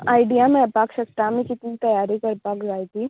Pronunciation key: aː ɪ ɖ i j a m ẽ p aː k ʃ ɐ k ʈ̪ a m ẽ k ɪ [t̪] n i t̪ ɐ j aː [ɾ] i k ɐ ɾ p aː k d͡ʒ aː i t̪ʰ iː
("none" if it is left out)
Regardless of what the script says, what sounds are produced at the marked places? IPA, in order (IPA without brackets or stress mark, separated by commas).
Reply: t̪, ɾ